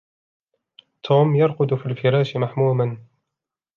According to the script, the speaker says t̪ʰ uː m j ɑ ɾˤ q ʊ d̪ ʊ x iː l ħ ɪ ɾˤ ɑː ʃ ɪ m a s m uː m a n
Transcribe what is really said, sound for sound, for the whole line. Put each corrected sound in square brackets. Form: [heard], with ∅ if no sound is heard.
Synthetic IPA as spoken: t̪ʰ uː m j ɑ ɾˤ q ʊ d̪ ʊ [f] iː l [f] ɪ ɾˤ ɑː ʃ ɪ m a [ħ] m uː m a n